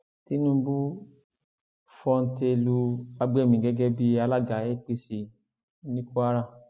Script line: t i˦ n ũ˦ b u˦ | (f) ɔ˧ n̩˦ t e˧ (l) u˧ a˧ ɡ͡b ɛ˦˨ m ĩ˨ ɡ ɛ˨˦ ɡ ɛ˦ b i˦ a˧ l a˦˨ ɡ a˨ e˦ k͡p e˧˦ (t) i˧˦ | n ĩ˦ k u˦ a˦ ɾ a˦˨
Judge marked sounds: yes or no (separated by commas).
yes, yes, no